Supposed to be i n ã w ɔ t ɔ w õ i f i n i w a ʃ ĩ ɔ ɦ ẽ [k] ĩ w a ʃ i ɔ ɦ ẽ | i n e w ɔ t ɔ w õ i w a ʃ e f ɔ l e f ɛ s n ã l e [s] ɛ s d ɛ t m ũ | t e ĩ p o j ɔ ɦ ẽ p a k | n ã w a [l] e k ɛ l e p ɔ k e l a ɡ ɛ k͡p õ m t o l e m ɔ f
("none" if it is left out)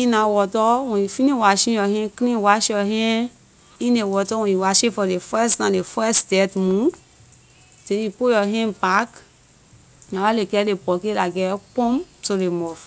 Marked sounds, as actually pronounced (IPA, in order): k, f, l

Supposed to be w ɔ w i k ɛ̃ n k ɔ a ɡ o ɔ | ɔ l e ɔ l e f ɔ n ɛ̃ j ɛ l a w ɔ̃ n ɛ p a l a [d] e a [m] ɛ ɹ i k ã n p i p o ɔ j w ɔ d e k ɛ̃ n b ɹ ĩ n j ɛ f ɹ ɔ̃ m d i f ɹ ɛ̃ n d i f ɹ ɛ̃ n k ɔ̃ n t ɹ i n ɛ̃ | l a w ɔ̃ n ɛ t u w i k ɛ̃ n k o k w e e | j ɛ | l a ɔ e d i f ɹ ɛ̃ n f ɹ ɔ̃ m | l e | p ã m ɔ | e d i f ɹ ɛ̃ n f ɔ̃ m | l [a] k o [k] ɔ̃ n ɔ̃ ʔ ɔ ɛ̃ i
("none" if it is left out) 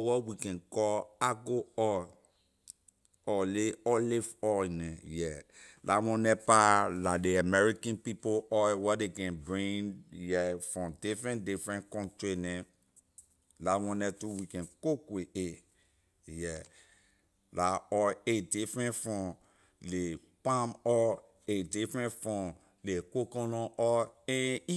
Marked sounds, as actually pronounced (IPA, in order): d, m, e, k

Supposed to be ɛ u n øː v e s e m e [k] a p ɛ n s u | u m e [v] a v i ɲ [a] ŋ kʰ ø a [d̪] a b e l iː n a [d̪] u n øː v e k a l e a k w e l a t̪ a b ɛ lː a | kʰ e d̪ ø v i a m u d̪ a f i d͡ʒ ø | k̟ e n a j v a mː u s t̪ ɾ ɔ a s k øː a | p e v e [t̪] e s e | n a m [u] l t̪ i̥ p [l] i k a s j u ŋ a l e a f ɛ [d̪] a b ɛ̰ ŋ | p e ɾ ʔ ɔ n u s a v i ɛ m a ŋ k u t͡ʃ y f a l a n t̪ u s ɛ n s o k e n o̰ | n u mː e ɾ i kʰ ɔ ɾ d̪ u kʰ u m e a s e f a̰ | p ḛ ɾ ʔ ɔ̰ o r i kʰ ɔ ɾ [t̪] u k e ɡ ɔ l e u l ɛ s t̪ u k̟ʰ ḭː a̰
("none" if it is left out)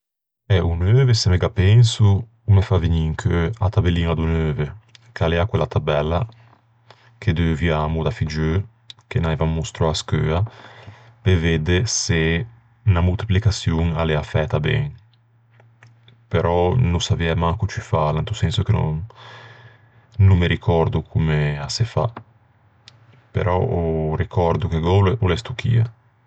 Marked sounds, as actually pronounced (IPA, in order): ɡ, f, i, t̪, d̪, d̪, u, l, t̪, d̪

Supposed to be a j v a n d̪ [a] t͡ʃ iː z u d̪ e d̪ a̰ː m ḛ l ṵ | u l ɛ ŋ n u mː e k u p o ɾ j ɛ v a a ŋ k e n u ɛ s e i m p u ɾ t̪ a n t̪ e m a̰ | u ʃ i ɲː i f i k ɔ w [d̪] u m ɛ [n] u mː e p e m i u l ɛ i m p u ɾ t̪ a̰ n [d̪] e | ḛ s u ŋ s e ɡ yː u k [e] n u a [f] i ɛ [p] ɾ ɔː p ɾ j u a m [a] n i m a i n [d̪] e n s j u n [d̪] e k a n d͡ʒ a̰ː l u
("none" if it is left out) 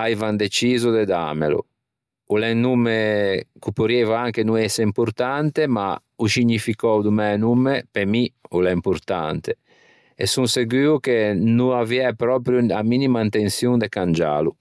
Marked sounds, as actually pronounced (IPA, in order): e, d̪, n, t̪, e, v, p, i, t̪, d̪

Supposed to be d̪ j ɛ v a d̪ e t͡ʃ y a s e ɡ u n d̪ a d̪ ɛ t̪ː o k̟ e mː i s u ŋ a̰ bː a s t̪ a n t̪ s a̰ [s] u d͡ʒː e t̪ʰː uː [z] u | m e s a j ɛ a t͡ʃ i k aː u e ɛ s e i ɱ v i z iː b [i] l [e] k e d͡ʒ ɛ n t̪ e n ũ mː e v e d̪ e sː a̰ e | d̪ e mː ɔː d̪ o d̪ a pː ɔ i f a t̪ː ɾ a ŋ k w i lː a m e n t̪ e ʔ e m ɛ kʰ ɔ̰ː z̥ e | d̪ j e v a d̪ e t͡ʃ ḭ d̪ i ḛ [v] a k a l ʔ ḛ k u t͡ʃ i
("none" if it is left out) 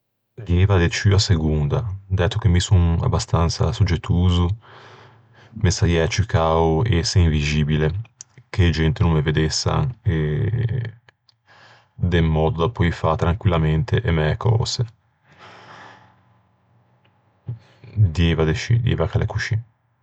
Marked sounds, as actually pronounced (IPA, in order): s, z, i, e, v

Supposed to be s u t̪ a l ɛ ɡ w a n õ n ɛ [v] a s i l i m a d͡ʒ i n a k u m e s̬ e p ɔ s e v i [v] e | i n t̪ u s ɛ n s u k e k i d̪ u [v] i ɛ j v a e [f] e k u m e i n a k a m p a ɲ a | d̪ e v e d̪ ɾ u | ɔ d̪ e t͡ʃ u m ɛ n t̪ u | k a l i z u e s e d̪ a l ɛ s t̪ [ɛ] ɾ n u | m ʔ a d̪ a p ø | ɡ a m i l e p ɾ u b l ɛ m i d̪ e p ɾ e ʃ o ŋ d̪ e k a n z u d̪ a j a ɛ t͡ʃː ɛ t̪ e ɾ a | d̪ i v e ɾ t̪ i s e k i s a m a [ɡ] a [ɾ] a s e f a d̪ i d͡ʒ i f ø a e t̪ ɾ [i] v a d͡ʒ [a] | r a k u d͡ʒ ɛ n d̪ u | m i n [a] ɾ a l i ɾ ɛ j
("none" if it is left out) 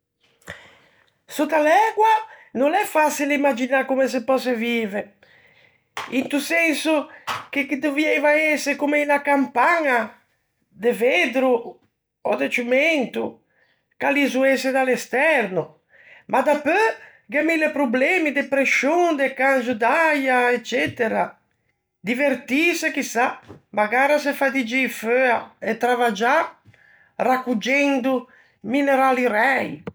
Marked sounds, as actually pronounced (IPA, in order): f, v, v, s, ɛ, ɡ, ɾ, a, a, e

